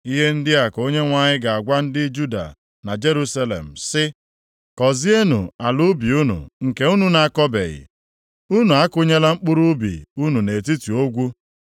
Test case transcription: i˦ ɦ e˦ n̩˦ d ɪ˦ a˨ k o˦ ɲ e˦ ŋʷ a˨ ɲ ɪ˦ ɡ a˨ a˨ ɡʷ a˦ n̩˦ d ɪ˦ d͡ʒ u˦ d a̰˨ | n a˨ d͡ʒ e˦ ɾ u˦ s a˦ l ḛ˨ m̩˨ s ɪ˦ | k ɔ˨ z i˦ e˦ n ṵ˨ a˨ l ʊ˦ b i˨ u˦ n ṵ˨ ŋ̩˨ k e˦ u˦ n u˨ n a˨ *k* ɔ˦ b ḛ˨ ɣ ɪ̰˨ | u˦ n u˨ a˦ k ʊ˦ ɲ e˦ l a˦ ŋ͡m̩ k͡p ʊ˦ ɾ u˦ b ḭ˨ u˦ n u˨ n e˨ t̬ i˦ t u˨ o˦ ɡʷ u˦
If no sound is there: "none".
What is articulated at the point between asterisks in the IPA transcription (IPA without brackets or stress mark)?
k